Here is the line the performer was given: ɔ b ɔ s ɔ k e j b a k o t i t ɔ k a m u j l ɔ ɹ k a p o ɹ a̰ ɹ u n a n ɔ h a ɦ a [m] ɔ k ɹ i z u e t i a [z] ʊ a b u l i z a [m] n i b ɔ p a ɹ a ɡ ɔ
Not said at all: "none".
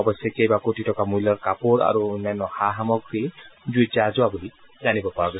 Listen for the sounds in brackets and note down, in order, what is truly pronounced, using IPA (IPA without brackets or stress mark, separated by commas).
m, z, none